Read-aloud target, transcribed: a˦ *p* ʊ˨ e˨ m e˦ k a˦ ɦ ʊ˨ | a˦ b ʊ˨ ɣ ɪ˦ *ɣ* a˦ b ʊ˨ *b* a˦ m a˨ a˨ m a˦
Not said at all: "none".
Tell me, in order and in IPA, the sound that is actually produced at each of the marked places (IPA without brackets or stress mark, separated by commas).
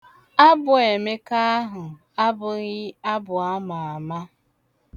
b, none, none